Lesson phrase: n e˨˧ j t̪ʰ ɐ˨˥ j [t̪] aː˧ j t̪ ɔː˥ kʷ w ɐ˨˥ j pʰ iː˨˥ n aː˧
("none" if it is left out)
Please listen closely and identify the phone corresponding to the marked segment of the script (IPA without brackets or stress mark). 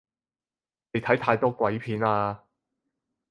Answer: t̪ʰ